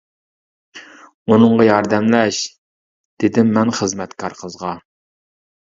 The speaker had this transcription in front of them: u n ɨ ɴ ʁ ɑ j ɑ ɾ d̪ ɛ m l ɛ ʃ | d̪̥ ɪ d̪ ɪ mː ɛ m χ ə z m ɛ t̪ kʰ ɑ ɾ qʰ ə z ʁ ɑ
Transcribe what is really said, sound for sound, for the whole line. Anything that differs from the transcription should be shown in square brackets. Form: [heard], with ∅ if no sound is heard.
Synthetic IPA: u n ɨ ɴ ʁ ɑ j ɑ ɾ d̪ ɛ m l ɛ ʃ | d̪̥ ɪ d̪ ɪ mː ɛ [n] χ ə z m ɛ t̪ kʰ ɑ ɾ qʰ ə z ʁ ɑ